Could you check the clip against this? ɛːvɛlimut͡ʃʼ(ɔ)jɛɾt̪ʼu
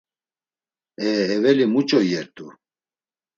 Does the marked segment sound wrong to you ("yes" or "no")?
no